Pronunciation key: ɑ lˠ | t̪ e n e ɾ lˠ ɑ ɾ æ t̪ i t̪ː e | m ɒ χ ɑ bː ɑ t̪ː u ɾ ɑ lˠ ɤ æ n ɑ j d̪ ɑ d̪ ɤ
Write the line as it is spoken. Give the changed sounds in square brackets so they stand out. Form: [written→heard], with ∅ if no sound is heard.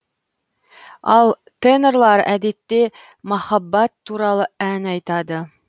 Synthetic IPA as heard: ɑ lˠ | t̪ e n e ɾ lˠ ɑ ɾ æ [t̪→d̪] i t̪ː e | m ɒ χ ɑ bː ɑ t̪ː u ɾ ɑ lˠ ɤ æ n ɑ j [d̪→t̪] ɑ d̪ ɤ